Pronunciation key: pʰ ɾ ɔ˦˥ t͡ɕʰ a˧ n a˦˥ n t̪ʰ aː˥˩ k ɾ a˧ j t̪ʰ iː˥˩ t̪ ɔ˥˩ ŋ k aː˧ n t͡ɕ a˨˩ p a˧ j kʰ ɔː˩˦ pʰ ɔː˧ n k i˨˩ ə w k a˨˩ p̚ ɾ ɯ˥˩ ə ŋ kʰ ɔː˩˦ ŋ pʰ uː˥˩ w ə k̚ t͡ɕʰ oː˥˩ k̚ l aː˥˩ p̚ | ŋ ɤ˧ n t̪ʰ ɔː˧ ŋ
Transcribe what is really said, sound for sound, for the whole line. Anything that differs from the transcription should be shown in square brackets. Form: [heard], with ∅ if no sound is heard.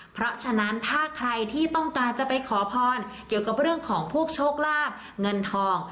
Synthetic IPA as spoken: pʰ ɾ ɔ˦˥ t͡ɕʰ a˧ n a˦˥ n t̪ʰ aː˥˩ [kʰ] ɾ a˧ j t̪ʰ iː˥˩ t̪ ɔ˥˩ ŋ k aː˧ n t͡ɕ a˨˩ p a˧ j kʰ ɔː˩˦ pʰ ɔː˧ n k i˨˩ ə w k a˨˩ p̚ ɾ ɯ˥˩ ə ŋ kʰ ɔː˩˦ ŋ pʰ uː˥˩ [∅] ə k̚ t͡ɕʰ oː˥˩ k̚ l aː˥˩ p̚ | ŋ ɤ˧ n t̪ʰ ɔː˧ ŋ